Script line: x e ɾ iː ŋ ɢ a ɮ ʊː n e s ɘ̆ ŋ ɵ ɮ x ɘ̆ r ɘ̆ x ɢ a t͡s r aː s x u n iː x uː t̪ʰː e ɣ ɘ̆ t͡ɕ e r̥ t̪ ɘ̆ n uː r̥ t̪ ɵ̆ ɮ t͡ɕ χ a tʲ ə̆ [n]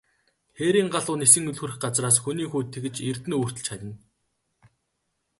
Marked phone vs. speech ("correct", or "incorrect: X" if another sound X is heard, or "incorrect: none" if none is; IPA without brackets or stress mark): correct